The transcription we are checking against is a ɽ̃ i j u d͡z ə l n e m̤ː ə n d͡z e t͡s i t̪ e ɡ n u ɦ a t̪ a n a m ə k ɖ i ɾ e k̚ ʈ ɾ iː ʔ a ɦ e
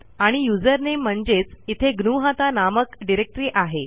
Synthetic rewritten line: a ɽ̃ i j u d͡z ə ɾ n e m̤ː ə ɳ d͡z e t͡s i t̪ʰ e ɡ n u ɦ a t̪ a n a m ə k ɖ i ɾ e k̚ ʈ ɾ iː ʔ a ɦ e